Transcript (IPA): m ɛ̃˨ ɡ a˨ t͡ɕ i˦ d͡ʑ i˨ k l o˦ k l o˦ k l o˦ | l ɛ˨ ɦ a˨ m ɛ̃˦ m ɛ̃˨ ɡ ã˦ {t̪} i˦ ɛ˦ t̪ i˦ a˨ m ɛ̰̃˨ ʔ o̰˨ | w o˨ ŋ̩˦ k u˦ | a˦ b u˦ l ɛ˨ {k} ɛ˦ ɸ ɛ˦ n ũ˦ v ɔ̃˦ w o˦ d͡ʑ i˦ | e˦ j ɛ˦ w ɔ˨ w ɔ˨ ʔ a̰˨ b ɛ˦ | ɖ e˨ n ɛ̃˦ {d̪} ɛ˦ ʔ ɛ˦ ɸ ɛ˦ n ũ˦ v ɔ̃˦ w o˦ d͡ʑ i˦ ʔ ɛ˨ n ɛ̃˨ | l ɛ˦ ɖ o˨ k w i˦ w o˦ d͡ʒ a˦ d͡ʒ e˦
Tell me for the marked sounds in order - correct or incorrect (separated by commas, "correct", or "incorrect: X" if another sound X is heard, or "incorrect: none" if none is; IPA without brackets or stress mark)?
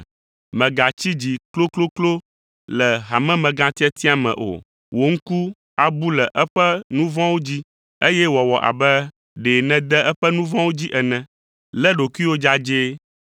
correct, incorrect: ʔ, correct